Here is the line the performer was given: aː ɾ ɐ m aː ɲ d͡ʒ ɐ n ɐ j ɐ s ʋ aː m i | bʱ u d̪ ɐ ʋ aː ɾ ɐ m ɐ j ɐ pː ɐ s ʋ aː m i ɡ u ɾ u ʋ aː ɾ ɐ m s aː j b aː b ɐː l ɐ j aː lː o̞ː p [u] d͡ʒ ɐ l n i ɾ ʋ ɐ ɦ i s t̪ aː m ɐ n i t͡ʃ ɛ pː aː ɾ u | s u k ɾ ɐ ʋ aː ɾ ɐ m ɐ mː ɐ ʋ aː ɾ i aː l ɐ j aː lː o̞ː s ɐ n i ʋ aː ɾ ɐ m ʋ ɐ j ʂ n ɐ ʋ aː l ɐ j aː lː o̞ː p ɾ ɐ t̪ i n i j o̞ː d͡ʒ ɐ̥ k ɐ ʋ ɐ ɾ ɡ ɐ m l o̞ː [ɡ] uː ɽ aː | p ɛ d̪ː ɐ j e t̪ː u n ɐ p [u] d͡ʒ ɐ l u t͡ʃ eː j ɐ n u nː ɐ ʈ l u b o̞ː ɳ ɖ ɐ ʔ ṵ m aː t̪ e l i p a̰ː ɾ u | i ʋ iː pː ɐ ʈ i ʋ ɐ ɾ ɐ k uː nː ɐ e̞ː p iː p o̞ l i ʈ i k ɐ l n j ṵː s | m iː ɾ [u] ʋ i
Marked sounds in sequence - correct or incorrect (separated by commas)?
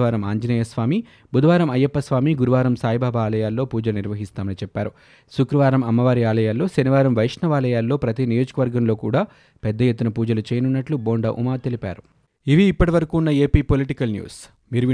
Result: incorrect, incorrect, incorrect, correct